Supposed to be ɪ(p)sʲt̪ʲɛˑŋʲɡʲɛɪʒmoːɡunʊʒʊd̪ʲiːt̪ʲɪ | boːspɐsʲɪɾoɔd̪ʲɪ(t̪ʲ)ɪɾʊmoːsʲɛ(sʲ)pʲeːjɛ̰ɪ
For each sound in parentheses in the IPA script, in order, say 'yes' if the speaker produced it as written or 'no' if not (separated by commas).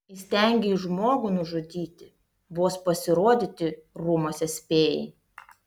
no, yes, yes